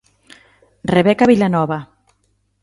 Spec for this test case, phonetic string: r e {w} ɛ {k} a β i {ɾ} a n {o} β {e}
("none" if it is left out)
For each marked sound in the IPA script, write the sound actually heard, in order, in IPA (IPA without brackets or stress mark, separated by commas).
β, k, l, ɔ, a